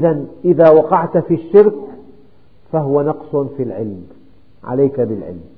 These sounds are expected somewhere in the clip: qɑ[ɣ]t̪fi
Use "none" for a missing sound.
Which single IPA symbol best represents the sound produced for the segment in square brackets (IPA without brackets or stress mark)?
ʕ